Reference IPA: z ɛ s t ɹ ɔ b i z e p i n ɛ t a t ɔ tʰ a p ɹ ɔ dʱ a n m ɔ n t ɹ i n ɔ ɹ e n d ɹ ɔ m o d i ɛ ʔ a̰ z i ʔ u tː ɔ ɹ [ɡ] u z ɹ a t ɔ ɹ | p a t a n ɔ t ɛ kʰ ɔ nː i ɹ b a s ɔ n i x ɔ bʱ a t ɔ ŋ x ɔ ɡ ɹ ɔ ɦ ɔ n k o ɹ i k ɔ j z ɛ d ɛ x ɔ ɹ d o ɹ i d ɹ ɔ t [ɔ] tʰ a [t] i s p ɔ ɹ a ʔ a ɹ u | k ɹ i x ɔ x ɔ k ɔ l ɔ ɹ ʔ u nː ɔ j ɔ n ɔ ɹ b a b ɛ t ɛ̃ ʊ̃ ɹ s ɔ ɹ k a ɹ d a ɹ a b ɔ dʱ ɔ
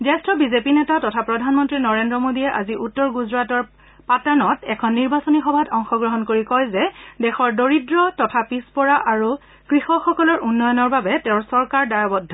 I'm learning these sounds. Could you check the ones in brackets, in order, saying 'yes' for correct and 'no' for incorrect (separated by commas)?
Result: yes, yes, no